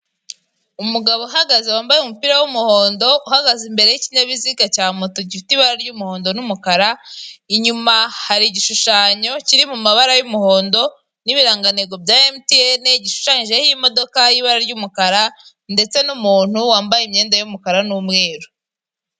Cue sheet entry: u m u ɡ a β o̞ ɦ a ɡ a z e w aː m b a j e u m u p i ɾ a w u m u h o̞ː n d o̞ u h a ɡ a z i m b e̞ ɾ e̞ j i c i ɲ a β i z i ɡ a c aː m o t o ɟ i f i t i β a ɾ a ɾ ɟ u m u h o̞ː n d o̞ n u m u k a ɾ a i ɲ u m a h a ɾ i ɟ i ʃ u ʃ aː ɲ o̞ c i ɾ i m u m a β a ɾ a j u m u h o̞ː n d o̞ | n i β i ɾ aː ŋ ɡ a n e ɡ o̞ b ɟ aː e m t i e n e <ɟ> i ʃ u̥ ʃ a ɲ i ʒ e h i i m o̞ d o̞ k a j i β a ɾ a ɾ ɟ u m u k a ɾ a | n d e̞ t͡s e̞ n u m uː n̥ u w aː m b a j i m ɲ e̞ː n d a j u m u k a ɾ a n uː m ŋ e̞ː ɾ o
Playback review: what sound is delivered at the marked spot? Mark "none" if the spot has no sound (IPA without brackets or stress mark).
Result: ɟ